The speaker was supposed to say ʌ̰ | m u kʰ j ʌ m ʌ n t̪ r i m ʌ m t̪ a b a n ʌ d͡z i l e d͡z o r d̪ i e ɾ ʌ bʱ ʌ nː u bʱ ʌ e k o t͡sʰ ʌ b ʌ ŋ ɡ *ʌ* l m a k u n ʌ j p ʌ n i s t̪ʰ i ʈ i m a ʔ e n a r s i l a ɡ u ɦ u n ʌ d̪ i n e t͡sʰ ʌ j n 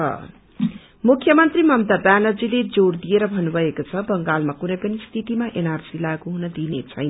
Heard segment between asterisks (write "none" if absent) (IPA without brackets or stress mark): a